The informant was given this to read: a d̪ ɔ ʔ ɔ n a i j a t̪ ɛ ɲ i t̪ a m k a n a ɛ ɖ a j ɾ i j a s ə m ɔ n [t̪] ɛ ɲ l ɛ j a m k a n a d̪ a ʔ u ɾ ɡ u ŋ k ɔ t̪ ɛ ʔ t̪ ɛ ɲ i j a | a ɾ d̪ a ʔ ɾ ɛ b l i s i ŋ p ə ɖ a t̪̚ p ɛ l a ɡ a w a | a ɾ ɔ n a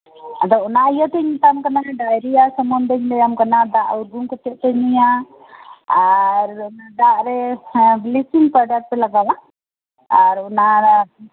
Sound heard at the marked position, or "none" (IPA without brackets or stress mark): d̪